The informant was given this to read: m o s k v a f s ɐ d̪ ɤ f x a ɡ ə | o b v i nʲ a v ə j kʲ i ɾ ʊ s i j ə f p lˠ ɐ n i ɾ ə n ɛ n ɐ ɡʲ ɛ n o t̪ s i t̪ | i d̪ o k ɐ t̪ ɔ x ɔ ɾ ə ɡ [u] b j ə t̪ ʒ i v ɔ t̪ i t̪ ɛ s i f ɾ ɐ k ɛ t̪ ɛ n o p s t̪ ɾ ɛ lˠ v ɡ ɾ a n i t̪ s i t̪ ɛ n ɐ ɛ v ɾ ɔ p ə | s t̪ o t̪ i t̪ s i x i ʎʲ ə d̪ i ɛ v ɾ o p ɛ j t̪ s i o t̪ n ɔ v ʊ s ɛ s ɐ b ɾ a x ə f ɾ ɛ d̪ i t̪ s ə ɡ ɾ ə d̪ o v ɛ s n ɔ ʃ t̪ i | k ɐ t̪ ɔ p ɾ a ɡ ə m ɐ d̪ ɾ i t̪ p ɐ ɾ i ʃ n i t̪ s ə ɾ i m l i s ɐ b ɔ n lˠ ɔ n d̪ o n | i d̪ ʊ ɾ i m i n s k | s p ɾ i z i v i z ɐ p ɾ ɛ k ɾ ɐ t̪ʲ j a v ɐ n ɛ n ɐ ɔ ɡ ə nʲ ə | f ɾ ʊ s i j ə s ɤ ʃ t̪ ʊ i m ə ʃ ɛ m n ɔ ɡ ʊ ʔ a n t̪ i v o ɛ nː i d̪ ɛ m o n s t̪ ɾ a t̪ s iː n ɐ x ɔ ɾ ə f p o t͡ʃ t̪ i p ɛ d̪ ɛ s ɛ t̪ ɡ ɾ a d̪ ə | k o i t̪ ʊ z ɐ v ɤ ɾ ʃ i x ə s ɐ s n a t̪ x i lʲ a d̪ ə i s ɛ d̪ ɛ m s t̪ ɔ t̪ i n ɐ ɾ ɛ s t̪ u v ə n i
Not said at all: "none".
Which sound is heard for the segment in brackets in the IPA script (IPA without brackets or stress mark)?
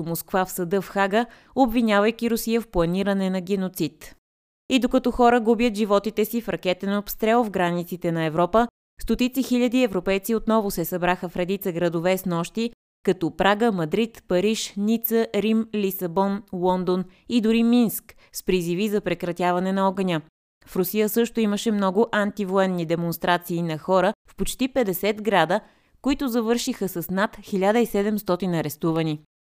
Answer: u